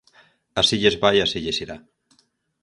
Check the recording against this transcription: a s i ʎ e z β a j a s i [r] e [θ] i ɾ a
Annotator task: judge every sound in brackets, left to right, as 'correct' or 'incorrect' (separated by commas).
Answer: incorrect, incorrect